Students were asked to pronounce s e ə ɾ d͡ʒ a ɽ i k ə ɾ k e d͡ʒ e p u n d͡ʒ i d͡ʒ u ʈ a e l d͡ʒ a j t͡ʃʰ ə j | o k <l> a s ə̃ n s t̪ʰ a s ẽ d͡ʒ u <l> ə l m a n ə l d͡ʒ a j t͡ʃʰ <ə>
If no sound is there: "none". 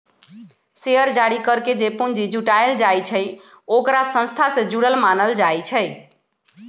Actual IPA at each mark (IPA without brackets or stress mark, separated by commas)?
ɾ, ɽ, ə